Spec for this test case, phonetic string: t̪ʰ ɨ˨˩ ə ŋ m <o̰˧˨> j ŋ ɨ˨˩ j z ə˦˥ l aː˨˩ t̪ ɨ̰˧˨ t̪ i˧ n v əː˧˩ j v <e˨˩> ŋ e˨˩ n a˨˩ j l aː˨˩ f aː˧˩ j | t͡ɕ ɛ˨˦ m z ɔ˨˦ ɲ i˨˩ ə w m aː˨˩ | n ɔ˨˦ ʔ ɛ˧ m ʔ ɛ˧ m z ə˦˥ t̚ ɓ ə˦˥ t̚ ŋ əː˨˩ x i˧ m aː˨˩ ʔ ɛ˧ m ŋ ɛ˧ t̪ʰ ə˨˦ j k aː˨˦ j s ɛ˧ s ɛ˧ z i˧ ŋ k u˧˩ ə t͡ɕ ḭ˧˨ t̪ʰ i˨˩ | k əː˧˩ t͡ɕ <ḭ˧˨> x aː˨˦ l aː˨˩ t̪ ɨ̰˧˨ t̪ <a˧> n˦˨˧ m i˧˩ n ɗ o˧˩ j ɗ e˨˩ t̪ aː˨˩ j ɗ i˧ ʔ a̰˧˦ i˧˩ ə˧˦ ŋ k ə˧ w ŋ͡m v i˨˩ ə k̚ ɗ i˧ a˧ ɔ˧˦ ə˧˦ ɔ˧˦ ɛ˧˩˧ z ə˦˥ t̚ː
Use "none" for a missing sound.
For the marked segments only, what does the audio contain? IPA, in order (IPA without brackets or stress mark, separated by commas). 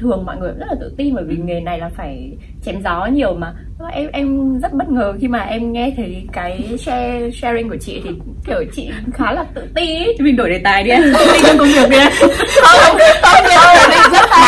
ɔ̰˧˨, i˨˩, ḭ˧˨, i˧